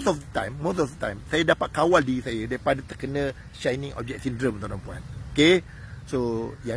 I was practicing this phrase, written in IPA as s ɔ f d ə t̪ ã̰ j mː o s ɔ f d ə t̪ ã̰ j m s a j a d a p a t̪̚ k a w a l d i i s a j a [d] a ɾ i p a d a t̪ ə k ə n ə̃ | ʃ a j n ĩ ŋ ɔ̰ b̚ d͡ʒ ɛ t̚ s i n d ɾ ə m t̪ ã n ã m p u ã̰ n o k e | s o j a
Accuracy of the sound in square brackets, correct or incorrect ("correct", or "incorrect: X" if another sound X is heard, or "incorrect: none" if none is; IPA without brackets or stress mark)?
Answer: correct